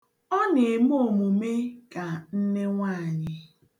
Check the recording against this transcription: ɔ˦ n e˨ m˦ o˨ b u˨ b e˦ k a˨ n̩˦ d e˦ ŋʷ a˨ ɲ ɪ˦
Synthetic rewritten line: ɔ˦ n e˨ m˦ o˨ m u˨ m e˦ k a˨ n̩˦ n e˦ ŋʷ a˦˨ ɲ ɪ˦